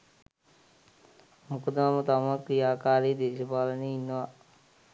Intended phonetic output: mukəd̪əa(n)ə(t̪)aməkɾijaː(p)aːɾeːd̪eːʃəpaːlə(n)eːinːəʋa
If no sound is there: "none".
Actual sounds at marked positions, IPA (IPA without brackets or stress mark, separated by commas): m, t̪, k, n